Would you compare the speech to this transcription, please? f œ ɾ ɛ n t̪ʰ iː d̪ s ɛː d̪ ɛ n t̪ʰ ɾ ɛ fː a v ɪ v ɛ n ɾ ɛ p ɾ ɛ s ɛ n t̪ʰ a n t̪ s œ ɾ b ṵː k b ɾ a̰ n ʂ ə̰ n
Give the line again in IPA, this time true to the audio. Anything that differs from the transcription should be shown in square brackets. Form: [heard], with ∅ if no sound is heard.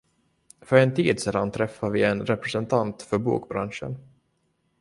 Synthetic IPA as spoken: f œ ɾ ɛ n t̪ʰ iː d̪ s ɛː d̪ [a] n t̪ʰ ɾ ɛ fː a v ɪ [∅] ɛ n ɾ ɛ p ɾ ɛ s ɛ n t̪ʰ a n t̪ [f] œ ɾ b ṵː k b ɾ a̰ n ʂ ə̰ n